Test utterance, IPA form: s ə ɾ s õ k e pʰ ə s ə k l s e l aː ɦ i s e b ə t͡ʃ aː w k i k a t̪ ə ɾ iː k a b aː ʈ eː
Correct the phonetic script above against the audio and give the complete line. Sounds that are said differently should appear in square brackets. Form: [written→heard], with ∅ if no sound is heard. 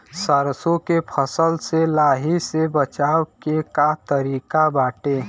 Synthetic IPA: s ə ɾ s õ k e pʰ ə s ə [k→∅] l s e l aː ɦ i s e b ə t͡ʃ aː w k [i→e] k a t̪ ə ɾ iː k a b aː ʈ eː